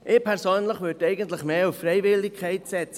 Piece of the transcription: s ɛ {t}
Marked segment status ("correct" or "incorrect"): incorrect